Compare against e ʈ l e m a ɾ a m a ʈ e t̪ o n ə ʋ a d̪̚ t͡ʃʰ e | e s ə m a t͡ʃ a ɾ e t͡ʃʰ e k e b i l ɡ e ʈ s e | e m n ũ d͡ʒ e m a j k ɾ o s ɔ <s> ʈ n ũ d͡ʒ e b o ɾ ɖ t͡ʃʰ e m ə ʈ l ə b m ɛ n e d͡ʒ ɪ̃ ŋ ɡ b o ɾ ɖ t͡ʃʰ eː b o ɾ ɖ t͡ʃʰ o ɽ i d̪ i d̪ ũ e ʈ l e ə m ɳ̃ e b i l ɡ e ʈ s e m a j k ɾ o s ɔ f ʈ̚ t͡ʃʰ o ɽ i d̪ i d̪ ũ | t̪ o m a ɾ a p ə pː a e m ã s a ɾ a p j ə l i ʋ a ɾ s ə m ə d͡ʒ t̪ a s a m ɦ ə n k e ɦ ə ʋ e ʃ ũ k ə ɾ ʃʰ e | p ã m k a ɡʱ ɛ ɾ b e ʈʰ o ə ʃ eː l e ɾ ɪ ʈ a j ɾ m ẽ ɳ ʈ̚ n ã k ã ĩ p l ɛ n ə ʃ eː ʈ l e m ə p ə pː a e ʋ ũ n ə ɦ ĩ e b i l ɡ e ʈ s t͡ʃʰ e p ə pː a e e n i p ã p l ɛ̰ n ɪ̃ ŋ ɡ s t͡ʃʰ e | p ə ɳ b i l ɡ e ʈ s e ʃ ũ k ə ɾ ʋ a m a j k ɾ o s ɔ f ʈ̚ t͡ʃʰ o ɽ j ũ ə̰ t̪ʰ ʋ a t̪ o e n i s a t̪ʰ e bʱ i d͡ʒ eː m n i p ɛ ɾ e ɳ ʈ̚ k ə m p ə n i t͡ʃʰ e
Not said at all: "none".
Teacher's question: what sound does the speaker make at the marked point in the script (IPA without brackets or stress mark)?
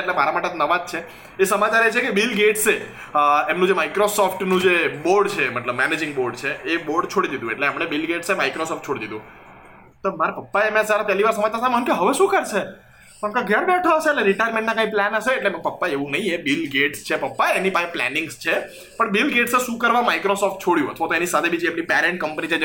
f